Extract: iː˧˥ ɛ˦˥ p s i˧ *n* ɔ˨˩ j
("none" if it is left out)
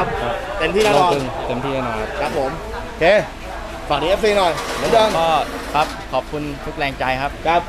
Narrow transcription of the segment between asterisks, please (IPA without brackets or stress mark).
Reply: n